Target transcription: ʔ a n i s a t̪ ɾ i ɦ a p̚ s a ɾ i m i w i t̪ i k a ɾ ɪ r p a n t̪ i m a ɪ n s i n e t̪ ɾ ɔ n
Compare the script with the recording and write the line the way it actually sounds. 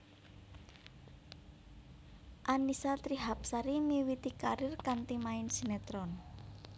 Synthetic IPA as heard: ʔ a n i s a t̪ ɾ i ɦ a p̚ s a ɾ i m i w i t̪ i k a ɾ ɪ r k a n t̪ i m a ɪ n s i n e t̪ ɾ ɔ n